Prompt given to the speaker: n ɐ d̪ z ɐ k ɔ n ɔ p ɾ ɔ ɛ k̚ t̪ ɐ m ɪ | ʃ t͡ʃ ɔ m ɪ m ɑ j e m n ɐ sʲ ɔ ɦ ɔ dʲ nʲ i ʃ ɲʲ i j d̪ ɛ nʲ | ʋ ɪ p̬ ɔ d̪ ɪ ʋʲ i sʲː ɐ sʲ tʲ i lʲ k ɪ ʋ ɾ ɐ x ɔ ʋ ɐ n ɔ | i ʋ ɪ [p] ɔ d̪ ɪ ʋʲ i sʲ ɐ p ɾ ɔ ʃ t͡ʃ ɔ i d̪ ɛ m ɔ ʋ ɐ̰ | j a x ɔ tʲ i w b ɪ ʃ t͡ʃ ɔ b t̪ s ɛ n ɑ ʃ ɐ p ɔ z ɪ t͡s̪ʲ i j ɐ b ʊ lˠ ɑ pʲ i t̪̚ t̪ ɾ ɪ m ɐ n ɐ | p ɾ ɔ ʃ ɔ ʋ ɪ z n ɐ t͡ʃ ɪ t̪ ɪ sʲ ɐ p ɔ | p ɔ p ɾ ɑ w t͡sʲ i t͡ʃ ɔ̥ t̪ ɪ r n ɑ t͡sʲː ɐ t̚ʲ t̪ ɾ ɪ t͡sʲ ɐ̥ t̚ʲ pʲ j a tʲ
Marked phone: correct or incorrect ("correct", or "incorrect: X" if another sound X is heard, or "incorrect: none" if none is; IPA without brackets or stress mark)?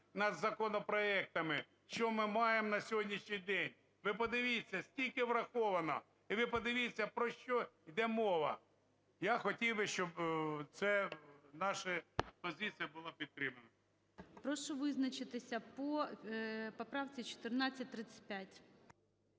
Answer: correct